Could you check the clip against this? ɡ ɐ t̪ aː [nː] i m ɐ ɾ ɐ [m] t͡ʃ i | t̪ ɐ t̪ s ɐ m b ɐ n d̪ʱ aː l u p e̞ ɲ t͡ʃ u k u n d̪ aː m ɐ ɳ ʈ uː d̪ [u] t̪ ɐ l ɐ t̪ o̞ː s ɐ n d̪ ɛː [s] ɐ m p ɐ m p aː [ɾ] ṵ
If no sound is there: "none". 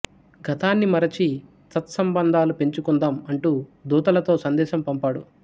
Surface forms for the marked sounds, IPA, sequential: nː, none, uː, ʃ, ɽ

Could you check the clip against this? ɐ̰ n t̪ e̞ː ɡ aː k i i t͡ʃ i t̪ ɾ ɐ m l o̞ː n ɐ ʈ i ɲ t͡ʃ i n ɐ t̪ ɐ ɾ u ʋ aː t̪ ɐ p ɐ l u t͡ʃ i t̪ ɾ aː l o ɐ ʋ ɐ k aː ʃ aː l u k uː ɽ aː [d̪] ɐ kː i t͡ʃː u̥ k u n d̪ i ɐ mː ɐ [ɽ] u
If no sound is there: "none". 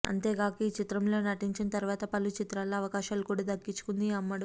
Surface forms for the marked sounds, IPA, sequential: d̪, ɽ

